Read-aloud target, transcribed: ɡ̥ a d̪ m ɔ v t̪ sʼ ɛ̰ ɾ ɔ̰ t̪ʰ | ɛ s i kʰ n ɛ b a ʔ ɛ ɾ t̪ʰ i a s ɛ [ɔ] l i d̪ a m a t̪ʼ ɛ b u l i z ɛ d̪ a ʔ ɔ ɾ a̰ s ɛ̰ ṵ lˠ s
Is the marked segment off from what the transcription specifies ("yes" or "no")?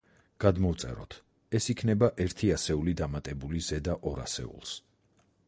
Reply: yes